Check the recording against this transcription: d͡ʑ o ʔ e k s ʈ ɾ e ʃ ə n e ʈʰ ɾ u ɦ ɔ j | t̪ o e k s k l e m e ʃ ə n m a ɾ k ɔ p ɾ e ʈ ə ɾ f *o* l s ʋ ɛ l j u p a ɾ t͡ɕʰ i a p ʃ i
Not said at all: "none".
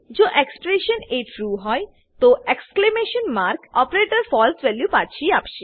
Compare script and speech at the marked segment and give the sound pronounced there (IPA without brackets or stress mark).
ɔ